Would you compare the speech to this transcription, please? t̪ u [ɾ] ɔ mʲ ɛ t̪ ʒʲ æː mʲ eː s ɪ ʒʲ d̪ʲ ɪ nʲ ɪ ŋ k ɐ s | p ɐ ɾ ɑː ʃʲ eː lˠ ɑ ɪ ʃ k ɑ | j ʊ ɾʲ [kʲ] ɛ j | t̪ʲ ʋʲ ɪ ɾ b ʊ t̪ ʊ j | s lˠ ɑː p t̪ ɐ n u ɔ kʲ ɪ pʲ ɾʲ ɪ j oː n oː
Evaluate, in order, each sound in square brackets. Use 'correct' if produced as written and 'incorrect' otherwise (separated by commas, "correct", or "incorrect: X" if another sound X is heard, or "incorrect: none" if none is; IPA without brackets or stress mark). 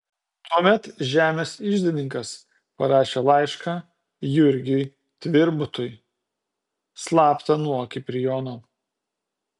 incorrect: none, incorrect: ɡʲ